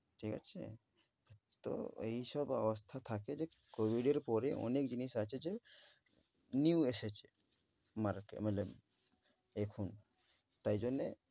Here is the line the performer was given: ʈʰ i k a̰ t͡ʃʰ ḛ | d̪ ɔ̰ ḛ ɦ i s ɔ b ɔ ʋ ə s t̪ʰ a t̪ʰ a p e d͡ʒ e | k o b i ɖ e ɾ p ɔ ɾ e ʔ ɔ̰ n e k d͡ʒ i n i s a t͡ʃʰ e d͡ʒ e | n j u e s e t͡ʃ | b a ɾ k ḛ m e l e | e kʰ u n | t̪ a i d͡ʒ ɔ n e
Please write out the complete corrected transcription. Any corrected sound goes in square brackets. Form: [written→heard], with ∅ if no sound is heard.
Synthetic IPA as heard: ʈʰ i k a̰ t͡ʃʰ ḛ | [d̪→t̪] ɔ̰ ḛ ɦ i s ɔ b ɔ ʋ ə s t̪ʰ a t̪ʰ a [p→k] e d͡ʒ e | k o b i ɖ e ɾ p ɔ ɾ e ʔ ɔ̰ n e k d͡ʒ i n i s a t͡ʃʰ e d͡ʒ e | n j u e s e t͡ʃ | [b→m] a ɾ k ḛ m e l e | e kʰ u n | t̪ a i d͡ʒ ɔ n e